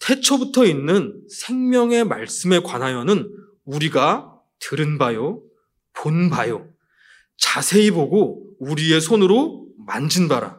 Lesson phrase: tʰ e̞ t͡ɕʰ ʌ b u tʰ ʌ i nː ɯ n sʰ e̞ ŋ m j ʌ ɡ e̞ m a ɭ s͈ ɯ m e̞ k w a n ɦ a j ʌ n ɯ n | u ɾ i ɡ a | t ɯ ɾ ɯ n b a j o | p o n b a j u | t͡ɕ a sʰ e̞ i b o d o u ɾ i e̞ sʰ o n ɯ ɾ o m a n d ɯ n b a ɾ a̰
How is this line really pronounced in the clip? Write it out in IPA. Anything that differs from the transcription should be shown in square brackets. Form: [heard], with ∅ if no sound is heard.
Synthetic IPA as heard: tʰ e̞ t͡ɕʰ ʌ b u tʰ ʌ i nː ɯ n sʰ e̞ ŋ m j ʌ [ŋ] e̞ m a ɭ s͈ ɯ m e̞ k w a n ɦ a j ʌ n ɯ n | u ɾ i ɡ a | t ɯ ɾ ɯ n b a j o | p o n b a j [o] | t͡ɕ a sʰ e̞ i b o [ɡ] o u ɾ i e̞ sʰ o n ɯ ɾ o m a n [d͡ʑ] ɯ n b a ɾ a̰